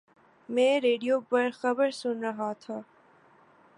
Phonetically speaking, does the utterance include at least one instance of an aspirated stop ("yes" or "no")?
yes